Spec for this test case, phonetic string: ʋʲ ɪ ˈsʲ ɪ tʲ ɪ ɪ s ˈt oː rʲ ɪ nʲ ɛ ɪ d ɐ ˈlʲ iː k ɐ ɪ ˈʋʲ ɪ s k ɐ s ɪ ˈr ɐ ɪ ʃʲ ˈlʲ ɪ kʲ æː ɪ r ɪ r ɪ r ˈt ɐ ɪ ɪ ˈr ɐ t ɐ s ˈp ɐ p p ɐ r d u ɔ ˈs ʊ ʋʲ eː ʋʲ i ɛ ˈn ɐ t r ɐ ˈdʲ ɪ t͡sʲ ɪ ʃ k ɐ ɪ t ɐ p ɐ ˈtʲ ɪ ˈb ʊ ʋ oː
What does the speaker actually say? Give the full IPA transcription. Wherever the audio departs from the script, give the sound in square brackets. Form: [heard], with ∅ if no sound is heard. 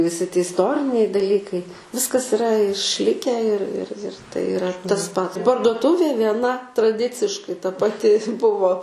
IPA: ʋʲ ɪ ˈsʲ ɪ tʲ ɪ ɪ s ˈt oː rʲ ɪ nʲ ɛ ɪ d ɐ ˈlʲ iː k ɐ ɪ ˈʋʲ ɪ s k ɐ s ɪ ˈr ɐ ɪ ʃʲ ˈlʲ ɪ kʲ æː ɪ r ɪ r ɪ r ˈt ɐ ɪ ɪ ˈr ɐ t ɐ s ˈp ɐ [t] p ɐ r d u ɔ [ˈt] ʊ ʋʲ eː ʋʲ i ɛ ˈn ɐ t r ɐ ˈdʲ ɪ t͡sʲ ɪ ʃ k ɐ ɪ t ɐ p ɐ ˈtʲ ɪ ˈb ʊ ʋ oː